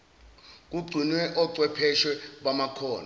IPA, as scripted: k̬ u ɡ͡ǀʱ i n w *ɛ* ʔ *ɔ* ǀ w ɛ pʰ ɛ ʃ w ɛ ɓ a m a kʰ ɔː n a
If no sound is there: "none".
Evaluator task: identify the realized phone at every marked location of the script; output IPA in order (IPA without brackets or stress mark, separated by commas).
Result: ɛ, ɔ